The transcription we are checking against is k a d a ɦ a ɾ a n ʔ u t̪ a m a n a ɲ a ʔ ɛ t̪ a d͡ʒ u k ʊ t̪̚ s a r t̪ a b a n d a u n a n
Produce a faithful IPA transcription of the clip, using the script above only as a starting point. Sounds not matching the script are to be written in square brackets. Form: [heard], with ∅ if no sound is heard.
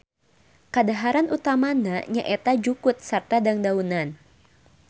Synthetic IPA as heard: k a d a ɦ a ɾ a n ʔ u t̪ a m a n a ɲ a ʔ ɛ t̪ a d͡ʒ u k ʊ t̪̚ s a r t̪ a [d] a [ŋ] d a u n a n